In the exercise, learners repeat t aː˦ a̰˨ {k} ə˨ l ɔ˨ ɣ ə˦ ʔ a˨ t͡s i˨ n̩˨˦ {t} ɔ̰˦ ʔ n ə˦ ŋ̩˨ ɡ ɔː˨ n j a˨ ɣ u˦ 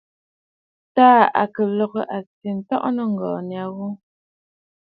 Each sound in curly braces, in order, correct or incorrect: correct, correct

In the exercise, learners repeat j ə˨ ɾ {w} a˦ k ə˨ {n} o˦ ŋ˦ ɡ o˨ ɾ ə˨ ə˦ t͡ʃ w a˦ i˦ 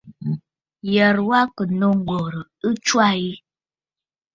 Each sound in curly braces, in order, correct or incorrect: correct, correct

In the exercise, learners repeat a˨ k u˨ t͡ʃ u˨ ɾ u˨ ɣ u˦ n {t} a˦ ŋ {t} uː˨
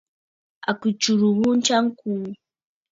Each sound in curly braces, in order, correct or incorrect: incorrect: t͡ʃ, incorrect: k

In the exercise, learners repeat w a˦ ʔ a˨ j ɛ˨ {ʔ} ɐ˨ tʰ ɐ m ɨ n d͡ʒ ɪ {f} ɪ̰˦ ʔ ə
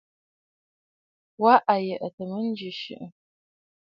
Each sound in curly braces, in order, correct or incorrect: correct, incorrect: ʃ

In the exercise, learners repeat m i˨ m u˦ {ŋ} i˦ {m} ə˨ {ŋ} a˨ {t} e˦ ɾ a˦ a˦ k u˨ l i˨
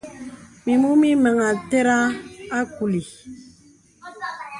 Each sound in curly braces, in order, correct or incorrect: incorrect: m, correct, correct, correct

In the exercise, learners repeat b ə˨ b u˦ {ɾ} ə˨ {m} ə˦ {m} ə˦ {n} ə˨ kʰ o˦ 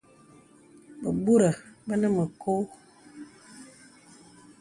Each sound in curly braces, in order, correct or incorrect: correct, incorrect: b, incorrect: n, incorrect: m

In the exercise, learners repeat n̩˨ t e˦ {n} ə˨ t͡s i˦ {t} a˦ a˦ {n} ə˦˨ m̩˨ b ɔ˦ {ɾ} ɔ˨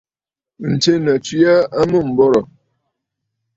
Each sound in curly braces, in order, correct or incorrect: correct, incorrect: none, incorrect: m, correct

